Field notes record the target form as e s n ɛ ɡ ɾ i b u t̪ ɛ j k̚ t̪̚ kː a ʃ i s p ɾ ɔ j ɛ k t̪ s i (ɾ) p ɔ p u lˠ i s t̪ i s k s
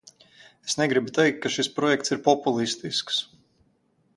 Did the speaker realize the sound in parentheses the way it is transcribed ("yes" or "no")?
yes